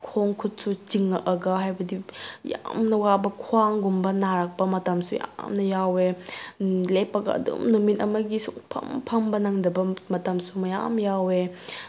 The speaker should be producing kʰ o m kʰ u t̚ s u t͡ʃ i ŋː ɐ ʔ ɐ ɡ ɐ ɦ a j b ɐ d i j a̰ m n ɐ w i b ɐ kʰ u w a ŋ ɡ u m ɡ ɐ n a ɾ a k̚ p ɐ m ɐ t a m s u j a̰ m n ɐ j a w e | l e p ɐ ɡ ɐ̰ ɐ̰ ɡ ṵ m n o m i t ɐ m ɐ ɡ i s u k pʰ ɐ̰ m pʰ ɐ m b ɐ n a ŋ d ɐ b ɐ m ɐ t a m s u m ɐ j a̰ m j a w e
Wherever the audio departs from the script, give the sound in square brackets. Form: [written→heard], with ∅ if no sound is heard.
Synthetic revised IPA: kʰ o [m→ŋ] kʰ u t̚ s u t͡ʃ i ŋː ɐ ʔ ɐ ɡ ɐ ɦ a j b ɐ d i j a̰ m n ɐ w [i→a] b ɐ kʰ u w a ŋ ɡ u m [ɡ→b] ɐ n a ɾ a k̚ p ɐ m ɐ t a m s u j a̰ m n ɐ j a w e | l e p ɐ ɡ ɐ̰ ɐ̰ [ɡ→d] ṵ m n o m i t ɐ m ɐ ɡ i s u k pʰ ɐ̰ m pʰ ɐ m b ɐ n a ŋ d ɐ b ɐ m ɐ t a m s u m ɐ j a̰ m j a w e